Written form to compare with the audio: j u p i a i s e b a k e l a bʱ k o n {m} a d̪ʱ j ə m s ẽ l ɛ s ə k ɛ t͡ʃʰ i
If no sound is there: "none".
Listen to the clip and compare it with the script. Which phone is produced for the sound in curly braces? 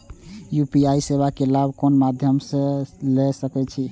m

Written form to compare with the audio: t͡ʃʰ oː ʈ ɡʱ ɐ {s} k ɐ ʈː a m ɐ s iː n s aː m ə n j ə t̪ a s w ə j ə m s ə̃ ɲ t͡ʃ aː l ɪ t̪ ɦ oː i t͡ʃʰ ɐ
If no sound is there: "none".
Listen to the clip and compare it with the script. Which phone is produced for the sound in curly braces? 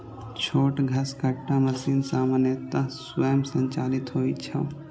s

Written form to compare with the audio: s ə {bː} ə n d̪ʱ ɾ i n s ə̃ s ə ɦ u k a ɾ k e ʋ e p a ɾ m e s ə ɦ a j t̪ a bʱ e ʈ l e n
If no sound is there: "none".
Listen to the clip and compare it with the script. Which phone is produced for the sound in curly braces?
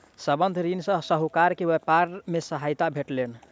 b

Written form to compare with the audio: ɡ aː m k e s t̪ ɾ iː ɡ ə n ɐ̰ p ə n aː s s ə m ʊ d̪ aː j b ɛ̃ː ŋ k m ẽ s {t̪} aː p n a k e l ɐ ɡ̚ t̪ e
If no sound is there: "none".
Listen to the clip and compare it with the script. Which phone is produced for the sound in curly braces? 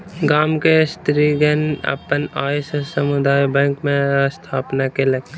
t̪ʰ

